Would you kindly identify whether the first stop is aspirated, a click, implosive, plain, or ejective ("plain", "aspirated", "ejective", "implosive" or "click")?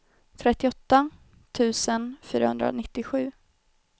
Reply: aspirated